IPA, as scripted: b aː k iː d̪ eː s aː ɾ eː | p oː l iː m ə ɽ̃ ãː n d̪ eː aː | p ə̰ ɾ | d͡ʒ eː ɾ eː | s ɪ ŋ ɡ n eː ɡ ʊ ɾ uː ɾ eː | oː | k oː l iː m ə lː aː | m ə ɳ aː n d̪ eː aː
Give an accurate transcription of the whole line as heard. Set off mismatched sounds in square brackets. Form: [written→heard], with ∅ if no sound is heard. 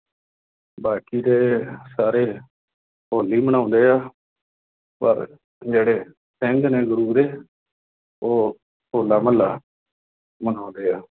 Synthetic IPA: b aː k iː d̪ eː s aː ɾ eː | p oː l iː m ə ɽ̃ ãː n d̪ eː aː | p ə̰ ɾ | d͡ʒ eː [ɾ→ɽ] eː | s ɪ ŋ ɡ n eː ɡ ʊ ɾ uː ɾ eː | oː | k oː l [iː→aː] m ə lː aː | m ə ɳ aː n d̪ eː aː